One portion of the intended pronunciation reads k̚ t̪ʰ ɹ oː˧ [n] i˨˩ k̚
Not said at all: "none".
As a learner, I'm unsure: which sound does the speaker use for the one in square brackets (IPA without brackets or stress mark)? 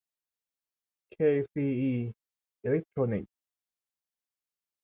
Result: n